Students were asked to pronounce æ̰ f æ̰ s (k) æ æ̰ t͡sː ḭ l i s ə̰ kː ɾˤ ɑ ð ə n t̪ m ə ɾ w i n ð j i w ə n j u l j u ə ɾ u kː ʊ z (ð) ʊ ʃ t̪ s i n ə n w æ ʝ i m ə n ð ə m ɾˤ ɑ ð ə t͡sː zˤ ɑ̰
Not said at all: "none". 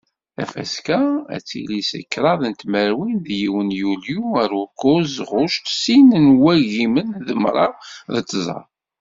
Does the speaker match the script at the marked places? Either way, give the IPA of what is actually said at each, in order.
k, ʁ

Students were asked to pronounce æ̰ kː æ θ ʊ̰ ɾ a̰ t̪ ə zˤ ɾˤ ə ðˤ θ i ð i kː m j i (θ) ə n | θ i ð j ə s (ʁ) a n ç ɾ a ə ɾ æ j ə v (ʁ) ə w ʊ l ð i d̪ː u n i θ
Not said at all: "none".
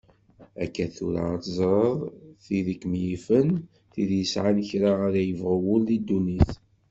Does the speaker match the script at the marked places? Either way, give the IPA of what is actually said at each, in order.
f, ʕ, ʁ

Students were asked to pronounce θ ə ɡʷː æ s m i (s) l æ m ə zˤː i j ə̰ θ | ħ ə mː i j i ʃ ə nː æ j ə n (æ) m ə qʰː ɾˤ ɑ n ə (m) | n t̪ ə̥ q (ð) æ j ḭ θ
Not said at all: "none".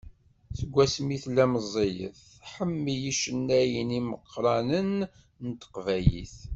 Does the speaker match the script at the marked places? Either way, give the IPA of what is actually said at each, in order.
θ, i, n, v

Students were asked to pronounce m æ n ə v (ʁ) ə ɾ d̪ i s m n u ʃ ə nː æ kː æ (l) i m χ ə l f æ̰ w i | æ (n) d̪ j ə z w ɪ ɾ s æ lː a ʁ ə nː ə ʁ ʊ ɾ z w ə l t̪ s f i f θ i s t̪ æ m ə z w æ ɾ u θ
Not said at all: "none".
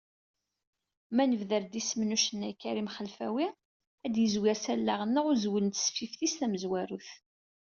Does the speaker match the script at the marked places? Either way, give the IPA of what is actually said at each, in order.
ð, ɾ, none

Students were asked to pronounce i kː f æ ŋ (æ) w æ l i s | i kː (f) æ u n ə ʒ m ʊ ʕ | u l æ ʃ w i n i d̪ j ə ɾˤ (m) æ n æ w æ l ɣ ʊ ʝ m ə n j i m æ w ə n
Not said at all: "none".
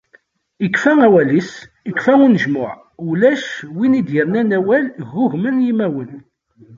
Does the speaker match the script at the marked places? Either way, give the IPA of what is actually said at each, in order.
æ, f, n

